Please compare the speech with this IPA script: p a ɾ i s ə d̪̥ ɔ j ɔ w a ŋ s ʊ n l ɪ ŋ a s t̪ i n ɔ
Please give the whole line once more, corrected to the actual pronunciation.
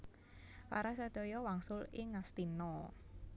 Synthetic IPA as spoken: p a ɾ a s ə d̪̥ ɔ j ɔ w a ŋ s ʊ l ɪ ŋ a s t̪ i n ɔ